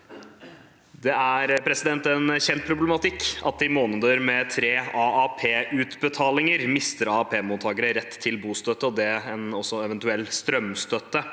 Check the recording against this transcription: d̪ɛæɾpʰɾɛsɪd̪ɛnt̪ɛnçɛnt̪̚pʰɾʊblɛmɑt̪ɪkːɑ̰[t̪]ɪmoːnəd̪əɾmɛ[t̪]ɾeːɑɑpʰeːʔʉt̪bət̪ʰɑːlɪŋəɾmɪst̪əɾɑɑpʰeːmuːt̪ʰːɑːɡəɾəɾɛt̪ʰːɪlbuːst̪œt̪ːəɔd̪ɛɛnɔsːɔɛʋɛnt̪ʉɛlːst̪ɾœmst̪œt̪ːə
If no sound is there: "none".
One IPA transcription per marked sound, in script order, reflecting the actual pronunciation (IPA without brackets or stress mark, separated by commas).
t̪, t̪ʰ